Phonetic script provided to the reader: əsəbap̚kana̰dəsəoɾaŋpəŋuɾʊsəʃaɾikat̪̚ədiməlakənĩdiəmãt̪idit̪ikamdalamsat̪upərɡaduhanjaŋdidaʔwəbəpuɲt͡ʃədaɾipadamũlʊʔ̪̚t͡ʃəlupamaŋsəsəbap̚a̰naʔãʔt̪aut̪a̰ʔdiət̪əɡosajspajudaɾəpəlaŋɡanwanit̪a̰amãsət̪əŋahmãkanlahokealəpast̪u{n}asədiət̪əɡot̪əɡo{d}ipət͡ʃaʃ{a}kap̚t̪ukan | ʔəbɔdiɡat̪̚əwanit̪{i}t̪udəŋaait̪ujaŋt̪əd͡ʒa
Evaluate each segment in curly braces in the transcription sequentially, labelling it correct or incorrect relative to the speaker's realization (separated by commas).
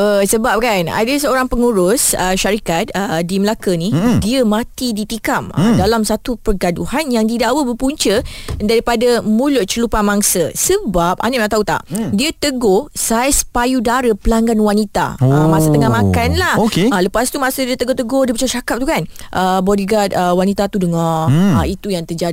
incorrect, correct, correct, incorrect